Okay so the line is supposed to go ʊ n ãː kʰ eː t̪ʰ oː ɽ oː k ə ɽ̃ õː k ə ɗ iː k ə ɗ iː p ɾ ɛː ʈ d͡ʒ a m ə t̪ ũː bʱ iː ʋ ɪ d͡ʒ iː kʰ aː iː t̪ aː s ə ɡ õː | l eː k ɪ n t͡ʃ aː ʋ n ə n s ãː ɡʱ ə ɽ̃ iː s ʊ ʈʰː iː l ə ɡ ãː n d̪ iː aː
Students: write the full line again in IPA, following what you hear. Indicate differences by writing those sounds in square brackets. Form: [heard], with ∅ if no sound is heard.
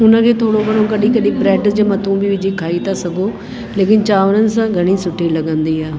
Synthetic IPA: ʊ n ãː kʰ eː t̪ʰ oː ɽ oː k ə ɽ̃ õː k ə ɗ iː k ə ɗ iː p ɾ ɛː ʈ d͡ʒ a m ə t̪ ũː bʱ iː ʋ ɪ d͡ʒ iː kʰ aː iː t̪ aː s ə ɡ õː | l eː k ɪ n t͡ʃ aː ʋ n ə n s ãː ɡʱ ə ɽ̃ iː s ʊ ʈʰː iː l ə ɡ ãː n d̪ iː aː